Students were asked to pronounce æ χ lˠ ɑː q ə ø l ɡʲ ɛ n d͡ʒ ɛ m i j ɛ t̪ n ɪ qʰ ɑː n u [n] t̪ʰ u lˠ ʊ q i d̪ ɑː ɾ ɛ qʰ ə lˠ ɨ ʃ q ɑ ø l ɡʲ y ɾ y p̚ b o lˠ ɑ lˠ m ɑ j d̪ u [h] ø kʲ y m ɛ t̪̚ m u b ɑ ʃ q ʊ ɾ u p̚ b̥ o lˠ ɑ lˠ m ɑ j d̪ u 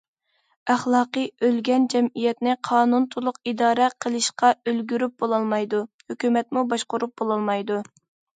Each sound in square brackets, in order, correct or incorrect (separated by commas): correct, correct